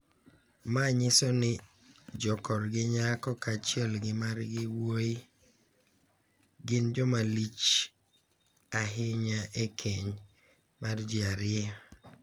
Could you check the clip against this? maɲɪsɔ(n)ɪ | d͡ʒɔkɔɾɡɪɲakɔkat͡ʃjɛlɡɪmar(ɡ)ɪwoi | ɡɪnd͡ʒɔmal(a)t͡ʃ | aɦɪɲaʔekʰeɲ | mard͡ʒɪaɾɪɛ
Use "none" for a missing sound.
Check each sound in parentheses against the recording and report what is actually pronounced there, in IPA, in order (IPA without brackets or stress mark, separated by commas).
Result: n, ɡ, i